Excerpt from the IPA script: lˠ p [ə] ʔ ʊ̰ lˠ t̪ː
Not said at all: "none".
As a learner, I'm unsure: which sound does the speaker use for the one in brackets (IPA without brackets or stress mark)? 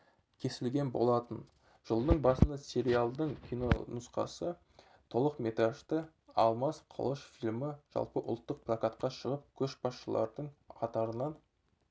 ə